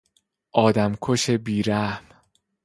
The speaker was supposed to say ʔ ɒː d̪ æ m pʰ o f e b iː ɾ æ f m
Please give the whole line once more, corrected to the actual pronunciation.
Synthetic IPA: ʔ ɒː d̪ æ m kʰ o ʃ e b iː ɾ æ h m